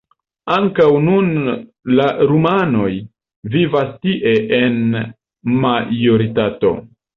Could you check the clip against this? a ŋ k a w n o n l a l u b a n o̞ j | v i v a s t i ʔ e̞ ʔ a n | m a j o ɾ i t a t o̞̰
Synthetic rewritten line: a ŋ k a w n u n l a ɾ u m a n o̞ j | v i v a s t i ʔ e̞ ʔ e n | m a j o ɾ i t a t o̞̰